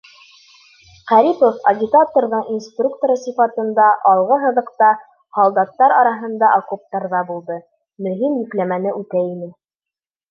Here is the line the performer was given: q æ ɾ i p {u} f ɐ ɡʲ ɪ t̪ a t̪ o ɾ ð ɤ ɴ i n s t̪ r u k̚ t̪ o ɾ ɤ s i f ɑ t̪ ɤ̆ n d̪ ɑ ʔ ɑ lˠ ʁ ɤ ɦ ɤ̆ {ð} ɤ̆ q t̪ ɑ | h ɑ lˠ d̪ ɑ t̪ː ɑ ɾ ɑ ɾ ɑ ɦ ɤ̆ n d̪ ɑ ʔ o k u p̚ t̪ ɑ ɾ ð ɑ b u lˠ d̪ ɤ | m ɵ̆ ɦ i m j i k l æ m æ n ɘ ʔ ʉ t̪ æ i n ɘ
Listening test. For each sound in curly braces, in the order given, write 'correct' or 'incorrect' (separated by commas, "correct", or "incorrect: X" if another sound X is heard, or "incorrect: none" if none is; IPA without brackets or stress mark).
incorrect: o, correct